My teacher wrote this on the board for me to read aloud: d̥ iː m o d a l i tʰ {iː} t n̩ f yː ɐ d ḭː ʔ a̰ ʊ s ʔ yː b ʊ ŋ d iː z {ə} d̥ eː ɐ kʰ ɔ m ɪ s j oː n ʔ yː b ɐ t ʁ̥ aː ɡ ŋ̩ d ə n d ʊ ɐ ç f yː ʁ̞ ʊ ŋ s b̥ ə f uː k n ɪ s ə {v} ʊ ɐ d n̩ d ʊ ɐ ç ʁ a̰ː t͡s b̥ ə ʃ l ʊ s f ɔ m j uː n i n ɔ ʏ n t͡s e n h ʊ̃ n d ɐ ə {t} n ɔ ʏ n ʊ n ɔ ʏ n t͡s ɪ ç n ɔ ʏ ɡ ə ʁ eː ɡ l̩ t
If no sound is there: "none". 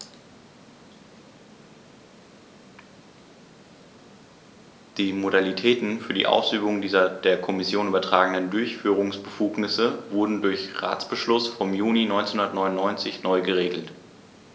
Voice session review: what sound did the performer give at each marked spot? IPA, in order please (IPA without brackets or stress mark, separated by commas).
ɛː, ɐ, v, t